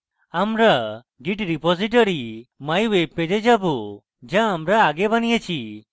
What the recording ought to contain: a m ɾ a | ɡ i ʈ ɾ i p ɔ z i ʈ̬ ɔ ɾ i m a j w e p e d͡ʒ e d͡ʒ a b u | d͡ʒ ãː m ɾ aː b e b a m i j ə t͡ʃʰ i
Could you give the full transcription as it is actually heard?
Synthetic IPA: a m ɾ a | ɡ i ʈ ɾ i p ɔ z i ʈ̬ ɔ ɾ i m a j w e p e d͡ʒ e d͡ʒ a b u | d͡ʒ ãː m ɾ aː ɡ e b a n i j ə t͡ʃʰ i